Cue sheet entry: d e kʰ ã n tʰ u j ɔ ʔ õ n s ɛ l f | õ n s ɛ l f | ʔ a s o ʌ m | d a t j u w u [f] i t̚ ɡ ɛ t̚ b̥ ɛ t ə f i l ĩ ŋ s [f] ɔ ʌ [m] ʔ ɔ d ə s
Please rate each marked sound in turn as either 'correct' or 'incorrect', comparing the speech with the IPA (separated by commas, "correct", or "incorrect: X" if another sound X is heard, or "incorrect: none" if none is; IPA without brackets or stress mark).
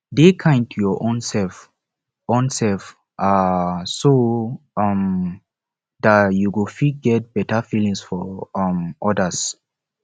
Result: correct, correct, correct